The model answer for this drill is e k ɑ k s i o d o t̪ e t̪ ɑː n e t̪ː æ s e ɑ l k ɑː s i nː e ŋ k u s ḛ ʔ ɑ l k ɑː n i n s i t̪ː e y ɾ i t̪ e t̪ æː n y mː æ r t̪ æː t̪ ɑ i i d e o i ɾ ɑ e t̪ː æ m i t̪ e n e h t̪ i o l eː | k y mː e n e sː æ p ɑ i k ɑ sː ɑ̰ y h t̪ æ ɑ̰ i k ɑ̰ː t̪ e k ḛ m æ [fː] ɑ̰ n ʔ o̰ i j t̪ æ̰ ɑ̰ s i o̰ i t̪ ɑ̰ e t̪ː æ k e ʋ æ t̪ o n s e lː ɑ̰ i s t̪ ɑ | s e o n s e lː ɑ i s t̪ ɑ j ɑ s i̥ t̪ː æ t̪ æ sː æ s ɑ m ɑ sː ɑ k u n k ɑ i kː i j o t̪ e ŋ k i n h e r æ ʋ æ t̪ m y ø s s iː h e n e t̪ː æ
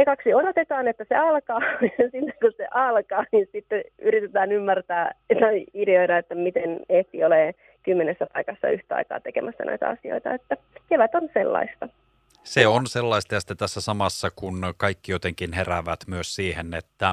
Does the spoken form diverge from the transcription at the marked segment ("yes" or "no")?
yes